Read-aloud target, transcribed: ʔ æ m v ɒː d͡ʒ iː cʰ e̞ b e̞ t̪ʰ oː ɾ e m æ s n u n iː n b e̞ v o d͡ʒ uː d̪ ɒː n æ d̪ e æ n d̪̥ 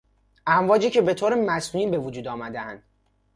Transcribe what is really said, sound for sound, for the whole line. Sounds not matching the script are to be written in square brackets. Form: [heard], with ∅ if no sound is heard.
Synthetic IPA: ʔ æ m v ɒː d͡ʒ iː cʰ e̞ b e̞ t̪ʰ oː ɾ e m æ s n u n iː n b e̞ v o d͡ʒ uː d̪ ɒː [m] æ d̪ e æ n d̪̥